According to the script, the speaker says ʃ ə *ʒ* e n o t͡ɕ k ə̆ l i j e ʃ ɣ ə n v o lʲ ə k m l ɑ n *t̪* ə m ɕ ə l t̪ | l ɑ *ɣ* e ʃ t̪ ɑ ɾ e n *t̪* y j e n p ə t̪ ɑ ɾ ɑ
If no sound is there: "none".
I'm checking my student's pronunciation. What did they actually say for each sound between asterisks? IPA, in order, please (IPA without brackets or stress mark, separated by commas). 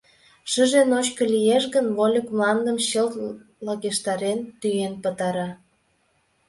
ʒ, d̪, ɣ, t̪